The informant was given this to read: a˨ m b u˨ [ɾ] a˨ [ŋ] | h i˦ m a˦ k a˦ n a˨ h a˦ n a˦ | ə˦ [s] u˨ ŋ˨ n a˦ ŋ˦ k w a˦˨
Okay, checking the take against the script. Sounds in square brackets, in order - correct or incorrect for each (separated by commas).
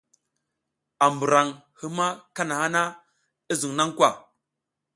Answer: correct, correct, incorrect